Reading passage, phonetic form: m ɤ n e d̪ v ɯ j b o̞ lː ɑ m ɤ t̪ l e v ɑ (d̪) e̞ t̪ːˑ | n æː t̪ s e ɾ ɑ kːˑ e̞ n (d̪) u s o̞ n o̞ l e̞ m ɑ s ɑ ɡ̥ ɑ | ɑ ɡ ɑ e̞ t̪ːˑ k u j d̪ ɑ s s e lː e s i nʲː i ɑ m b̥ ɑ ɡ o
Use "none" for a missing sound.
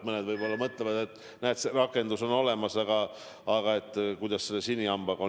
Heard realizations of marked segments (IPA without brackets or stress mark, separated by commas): d̪, d̪